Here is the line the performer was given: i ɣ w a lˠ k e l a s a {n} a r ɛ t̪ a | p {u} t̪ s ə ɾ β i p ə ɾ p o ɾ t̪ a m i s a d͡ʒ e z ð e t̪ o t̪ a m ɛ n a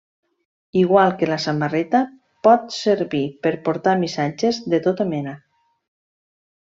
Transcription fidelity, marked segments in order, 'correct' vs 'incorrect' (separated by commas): incorrect, incorrect